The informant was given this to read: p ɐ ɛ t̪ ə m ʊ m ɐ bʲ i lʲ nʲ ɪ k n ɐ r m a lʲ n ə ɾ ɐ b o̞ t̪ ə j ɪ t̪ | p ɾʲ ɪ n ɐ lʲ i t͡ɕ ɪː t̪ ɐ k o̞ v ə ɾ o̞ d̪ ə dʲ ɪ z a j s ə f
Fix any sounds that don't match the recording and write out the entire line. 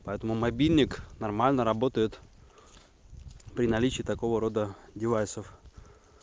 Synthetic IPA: p ɐ ɛ t̪ ə m ʊ m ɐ bʲ i lʲ nʲ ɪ k n ɐ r m a lʲ n ə ɾ ɐ b o̞ t̪ ə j ɪ t̪ | p ɾʲ ɪ n ɐ lʲ i t͡ɕ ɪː t̪ ɐ k o̞ v ə ɾ o̞ d̪ ə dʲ ɪ v a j s ə f